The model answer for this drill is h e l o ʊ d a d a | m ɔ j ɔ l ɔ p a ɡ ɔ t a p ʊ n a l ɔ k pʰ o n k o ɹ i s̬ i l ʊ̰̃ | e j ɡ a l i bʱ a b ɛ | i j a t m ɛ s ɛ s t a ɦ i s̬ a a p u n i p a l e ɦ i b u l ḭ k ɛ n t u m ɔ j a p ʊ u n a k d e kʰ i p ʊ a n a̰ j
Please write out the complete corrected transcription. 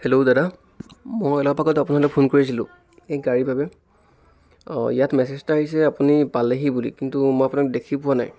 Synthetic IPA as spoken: h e l o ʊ d a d a | m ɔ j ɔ l ɔ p a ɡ ɔ t a p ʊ n a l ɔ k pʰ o n k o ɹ i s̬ i l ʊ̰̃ | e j ɡ a ɹ i bʱ a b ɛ | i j a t m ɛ s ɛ s t a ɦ i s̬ ɛ a p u n i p a l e ɦ i b u l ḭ k i n t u m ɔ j a p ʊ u n a k d e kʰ i p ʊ a n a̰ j

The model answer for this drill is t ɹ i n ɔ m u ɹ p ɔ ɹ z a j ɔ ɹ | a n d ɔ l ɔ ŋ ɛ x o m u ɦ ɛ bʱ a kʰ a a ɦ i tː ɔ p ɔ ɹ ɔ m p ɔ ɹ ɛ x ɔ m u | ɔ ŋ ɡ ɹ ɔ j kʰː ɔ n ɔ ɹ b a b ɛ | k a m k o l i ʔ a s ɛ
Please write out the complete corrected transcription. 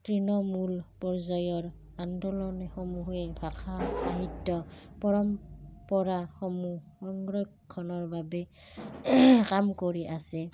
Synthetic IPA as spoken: t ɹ i n ɔ m u l p ɔ ɹ z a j ɔ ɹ | a n d ɔ l ɔ n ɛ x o m u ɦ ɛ bʱ a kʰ a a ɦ i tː ɔ p ɔ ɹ ɔ m p ɔ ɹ a x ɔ m u | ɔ ŋ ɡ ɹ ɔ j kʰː ɔ n ɔ ɹ b a b ɛ | k a m k o ɹ i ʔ a s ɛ

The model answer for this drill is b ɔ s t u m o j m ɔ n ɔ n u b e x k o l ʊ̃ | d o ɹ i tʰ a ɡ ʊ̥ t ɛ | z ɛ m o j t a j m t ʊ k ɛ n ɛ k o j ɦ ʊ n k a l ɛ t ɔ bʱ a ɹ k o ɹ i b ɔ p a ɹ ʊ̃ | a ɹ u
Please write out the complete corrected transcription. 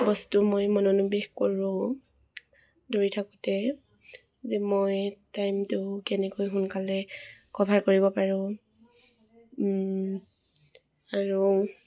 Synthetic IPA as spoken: b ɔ s t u m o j m ɔ n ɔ n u b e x k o ɹ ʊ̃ | d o ɹ i tʰ a k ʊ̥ t ɛ | z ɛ m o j t a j m t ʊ k ɛ n ɛ k o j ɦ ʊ n k a l ɛ k ɔ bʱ a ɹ k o ɹ i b ɔ p a ɹ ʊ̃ | a ɹ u

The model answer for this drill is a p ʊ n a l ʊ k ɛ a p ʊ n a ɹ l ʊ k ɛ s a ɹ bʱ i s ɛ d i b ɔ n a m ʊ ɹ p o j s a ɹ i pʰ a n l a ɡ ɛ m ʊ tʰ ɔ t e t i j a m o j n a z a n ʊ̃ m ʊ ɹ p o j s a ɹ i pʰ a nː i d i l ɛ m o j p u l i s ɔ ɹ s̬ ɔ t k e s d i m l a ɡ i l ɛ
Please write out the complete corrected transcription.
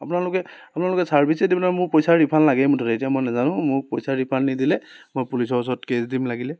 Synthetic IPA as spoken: a p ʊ n a l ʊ k ɛ a p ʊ n a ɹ l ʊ k ɛ s a ɹ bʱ i s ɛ d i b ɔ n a m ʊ ɹ p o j s a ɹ i pʰ a n l a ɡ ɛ m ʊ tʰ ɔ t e t i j a m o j n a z a n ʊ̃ m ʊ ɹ p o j s a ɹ i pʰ a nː i d i l ɛ m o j p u l i s ɔ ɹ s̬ ɔ t k e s d i m l a ɡ i l ɛ

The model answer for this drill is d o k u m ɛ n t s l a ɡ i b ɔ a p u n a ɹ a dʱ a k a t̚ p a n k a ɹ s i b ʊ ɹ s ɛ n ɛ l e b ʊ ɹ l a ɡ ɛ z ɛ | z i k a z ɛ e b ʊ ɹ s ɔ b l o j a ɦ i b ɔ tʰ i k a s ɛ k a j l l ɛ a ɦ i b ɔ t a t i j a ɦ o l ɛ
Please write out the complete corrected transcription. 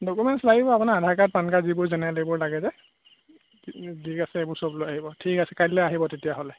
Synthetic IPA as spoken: d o k u m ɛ n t s l a ɡ i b ɔ a p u n a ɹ a dʱ a k a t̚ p a n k a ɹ z i b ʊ ɹ z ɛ n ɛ l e b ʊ ɹ l a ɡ ɛ z ɛ | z i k a s ɛ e b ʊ ɹ s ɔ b l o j a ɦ i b ɔ tʰ i k a s ɛ k a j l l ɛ a ɦ i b ɔ t e t i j a ɦ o l ɛ

